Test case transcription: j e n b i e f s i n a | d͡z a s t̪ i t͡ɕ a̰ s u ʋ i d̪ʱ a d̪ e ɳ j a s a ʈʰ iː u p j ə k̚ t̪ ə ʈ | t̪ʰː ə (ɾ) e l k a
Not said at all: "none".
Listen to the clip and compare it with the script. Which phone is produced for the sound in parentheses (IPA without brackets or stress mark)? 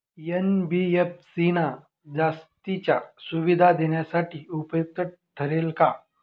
ɾ